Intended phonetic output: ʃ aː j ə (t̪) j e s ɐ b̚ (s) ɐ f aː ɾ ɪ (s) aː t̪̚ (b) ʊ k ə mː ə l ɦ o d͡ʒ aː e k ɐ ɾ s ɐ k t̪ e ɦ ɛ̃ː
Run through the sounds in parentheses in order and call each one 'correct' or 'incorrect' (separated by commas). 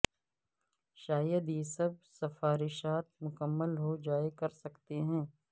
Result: incorrect, correct, incorrect, incorrect